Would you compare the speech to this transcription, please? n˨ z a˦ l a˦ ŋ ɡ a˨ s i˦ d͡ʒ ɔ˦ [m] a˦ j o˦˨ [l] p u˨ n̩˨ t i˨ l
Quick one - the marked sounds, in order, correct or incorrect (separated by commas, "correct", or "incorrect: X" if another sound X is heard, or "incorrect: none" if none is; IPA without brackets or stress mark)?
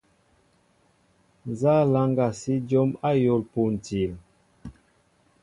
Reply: correct, correct